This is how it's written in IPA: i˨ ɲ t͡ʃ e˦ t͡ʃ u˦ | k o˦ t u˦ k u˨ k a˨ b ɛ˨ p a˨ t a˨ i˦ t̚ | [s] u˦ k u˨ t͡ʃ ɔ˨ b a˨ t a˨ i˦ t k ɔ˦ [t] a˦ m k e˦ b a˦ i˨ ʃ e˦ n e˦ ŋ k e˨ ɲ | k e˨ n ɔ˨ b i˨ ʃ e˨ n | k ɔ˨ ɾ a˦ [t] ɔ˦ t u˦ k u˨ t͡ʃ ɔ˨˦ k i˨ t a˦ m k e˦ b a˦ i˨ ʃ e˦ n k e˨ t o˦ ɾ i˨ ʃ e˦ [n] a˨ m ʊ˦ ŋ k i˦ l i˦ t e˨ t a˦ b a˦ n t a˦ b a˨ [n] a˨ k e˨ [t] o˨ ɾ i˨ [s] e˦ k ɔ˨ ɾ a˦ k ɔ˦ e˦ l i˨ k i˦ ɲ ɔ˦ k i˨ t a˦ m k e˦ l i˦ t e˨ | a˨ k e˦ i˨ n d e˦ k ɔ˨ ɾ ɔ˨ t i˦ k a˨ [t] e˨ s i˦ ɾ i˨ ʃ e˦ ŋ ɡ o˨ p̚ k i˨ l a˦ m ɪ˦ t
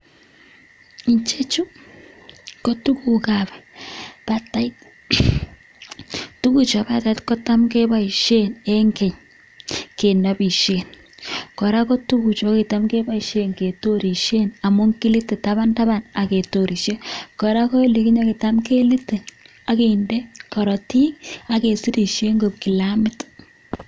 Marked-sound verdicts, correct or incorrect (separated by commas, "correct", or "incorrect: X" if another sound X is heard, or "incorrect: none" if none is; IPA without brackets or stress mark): incorrect: t, correct, incorrect: k, correct, correct, correct, incorrect: ʃ, incorrect: k